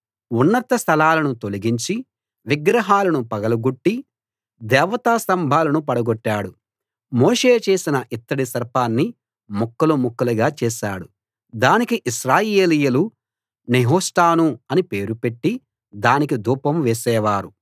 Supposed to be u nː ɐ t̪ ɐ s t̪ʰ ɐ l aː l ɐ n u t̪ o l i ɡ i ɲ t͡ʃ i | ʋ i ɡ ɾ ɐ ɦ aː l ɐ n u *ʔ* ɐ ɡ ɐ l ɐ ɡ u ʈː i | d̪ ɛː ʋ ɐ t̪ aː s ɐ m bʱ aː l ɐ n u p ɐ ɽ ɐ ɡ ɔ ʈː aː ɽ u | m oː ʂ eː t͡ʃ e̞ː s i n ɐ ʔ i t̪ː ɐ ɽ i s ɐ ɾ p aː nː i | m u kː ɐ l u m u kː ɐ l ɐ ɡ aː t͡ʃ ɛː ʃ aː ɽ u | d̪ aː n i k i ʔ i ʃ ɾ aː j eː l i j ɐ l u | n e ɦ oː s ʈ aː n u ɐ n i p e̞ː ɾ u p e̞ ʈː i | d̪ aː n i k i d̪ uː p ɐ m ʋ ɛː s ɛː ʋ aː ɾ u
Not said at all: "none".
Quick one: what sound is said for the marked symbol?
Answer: p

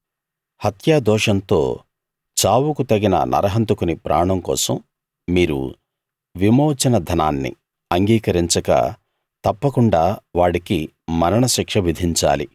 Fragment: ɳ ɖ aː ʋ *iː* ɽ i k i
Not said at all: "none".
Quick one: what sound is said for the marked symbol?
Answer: aː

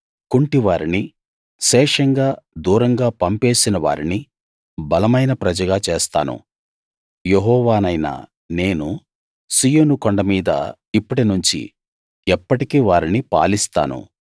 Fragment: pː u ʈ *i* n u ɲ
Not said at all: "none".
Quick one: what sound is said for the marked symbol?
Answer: i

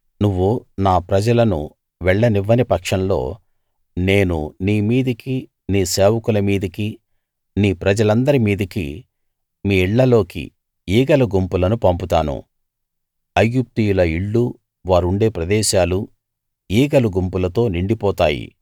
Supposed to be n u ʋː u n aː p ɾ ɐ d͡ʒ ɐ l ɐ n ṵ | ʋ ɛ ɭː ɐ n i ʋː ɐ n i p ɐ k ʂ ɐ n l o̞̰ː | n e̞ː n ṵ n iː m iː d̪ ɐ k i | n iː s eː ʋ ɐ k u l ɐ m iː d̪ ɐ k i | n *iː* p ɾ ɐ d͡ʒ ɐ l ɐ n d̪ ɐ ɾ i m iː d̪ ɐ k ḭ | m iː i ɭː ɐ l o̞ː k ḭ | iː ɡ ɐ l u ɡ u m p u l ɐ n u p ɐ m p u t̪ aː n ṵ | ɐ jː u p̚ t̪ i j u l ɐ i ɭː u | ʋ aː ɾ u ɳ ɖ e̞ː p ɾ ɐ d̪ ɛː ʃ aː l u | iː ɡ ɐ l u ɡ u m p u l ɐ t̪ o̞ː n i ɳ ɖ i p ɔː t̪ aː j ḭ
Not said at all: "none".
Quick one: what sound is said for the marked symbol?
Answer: iː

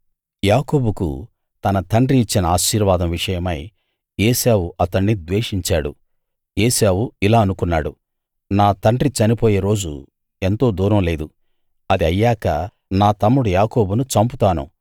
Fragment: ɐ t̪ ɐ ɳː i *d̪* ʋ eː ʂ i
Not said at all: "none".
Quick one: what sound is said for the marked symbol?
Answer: d̪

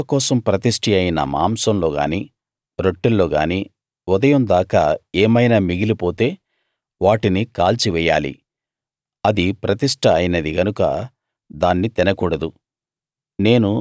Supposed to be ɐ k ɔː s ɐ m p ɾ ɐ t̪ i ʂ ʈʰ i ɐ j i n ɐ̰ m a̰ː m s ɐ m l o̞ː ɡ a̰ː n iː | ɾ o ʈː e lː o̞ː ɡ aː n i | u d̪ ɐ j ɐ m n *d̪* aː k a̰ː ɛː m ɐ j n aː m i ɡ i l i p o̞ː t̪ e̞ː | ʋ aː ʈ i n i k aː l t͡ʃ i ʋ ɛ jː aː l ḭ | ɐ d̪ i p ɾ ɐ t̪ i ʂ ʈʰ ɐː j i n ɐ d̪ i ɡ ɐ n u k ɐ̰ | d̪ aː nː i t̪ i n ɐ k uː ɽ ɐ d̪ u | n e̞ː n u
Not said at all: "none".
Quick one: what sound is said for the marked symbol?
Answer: d̪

